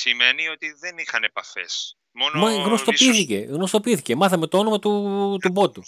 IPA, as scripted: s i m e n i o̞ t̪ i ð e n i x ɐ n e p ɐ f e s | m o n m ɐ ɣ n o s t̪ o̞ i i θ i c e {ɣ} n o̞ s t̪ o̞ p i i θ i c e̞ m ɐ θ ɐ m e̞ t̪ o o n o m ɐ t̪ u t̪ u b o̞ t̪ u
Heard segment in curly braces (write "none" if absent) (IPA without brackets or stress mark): ɣ